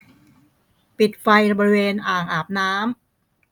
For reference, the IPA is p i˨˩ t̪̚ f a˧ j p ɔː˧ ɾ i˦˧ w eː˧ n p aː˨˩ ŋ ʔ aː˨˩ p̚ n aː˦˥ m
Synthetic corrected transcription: p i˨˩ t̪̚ f a˧ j b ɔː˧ ɾ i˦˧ w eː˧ n ʔ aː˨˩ ŋ ʔ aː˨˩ p̚ n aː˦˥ m